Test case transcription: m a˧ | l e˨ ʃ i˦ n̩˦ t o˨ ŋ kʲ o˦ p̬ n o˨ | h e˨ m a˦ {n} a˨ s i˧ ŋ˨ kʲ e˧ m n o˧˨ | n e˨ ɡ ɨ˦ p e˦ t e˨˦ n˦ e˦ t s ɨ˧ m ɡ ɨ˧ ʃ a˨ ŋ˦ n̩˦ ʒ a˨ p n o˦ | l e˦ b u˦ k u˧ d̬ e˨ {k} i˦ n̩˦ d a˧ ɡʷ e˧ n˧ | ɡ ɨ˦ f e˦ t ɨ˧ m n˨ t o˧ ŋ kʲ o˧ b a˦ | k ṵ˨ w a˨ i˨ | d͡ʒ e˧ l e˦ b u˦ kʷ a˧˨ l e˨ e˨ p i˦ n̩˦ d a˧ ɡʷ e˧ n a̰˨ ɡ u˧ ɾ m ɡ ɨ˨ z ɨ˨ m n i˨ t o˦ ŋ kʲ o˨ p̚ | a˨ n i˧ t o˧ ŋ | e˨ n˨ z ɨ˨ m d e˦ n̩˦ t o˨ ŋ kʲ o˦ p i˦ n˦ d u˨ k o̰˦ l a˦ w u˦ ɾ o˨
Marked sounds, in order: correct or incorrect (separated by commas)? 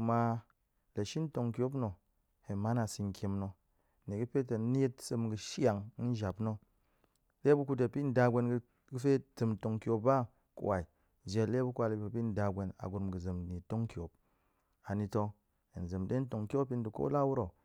correct, incorrect